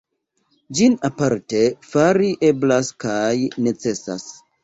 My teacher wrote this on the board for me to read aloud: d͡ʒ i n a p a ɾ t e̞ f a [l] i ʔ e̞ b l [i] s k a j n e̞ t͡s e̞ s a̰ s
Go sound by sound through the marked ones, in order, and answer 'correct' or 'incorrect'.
incorrect: ɾ, incorrect: a

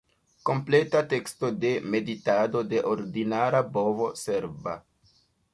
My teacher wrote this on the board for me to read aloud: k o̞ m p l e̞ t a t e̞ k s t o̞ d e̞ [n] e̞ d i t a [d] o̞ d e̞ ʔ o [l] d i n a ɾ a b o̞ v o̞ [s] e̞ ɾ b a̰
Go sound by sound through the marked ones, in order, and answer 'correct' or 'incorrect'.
incorrect: m, correct, incorrect: ɾ, correct

